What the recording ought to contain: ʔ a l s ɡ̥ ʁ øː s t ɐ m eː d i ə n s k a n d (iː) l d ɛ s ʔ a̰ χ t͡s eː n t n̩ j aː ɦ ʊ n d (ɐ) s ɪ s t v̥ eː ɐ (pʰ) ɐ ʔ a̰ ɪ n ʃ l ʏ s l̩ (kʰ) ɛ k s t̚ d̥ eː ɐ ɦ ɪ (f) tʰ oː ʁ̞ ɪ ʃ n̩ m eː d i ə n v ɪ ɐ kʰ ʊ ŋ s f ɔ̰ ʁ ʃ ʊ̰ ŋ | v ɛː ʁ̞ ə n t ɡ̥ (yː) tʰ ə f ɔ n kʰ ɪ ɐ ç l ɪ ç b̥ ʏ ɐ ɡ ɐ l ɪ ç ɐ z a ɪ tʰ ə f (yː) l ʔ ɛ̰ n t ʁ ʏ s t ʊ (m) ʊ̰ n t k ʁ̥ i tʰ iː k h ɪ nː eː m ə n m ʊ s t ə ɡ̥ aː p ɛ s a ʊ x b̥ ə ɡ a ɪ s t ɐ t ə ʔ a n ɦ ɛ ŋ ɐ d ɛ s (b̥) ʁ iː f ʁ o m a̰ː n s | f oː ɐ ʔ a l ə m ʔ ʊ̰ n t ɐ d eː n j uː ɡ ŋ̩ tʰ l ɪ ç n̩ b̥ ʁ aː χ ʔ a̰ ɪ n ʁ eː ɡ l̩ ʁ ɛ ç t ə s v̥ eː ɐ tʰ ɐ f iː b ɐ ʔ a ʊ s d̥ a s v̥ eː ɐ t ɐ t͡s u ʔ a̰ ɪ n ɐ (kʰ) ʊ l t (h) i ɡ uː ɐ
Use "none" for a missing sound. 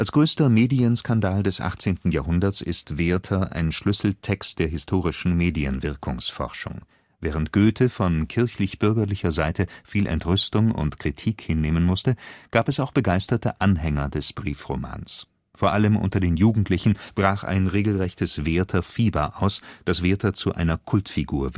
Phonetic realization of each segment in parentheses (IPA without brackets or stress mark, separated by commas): aː, ɐ, tʰ, tʰ, s, øː, iː, ŋ, b̥, kʰ, f